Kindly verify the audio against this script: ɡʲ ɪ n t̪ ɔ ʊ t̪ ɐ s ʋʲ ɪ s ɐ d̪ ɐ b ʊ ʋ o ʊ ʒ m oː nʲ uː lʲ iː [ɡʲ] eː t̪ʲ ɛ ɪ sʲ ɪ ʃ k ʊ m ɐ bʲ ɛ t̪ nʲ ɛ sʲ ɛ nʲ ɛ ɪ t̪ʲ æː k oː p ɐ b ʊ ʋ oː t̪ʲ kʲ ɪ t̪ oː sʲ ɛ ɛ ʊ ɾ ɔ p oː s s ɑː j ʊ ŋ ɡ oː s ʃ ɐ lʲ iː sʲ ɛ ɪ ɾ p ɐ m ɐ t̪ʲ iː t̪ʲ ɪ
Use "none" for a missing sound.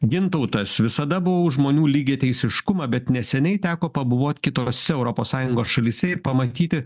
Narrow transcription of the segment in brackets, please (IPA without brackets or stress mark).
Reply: ɡʲ